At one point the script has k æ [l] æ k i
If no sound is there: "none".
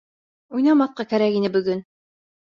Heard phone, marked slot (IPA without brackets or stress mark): ɾ